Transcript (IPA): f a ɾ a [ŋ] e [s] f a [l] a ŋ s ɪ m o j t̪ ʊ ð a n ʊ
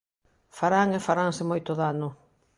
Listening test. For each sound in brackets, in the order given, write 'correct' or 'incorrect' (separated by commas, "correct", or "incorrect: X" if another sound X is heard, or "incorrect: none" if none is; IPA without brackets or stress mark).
correct, incorrect: none, incorrect: ɾ